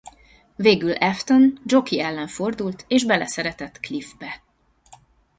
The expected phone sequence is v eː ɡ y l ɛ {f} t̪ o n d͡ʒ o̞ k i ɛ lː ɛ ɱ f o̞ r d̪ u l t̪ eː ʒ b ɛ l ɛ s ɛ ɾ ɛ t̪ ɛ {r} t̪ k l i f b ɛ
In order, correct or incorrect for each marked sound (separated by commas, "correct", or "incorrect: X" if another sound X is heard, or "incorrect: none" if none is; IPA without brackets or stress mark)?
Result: correct, incorrect: none